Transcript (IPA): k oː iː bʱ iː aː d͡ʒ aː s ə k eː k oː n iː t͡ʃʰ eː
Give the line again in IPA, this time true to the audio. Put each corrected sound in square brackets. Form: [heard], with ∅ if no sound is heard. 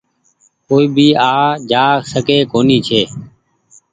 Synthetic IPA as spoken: k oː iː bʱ iː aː d͡ʒ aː s ə k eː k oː n iː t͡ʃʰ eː

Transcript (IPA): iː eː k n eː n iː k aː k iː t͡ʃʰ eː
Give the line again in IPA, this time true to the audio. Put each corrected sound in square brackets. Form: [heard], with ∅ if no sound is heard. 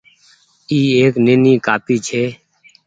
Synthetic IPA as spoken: iː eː k n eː n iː k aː [p] iː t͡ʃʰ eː

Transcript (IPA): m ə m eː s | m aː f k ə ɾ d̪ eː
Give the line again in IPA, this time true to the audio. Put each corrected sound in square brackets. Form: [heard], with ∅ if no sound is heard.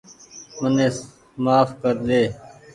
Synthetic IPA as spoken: m ə [n] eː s | m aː f k ə ɾ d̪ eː

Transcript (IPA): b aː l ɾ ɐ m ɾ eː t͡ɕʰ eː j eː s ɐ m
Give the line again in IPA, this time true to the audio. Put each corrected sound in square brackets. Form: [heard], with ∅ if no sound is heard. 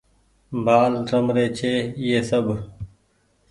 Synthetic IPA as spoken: b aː l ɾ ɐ m ɾ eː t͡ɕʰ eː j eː s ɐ [b]

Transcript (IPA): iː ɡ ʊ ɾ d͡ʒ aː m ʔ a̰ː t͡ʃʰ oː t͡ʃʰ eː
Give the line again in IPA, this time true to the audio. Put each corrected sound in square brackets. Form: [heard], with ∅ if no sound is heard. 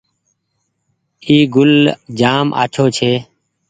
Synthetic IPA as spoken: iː ɡ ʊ [l] d͡ʒ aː m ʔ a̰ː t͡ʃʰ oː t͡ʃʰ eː

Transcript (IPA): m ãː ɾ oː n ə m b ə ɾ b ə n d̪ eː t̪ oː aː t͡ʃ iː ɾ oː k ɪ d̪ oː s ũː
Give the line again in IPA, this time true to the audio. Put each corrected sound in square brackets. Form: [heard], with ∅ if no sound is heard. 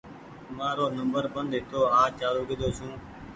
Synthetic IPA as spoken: m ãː ɾ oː n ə m b ə ɾ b ə n d̪ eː t̪ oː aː t͡ʃ [aː] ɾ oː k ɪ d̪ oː s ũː

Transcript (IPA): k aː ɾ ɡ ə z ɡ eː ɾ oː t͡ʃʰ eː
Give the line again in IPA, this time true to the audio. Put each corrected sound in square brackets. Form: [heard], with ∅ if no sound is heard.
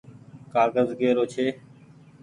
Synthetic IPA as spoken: k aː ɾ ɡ ə z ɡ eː ɾ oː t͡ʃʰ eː

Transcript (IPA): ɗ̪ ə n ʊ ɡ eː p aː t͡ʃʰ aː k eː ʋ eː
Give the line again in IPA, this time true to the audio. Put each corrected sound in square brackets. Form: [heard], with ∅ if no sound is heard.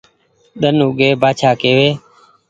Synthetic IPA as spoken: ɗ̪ ə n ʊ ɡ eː [b] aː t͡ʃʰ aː k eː ʋ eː

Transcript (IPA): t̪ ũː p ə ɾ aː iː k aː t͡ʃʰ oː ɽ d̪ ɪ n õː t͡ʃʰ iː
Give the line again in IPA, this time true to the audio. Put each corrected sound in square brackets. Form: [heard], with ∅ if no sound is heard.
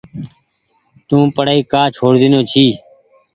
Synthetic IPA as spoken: t̪ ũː p ə [ɽ] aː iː k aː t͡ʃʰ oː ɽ d̪ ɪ n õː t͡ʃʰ iː

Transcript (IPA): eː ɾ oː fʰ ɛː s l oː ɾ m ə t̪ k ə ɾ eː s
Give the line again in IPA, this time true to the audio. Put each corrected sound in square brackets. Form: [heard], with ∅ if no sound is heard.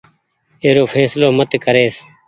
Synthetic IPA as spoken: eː ɾ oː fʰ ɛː s l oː [∅] m ə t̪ k ə ɾ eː s

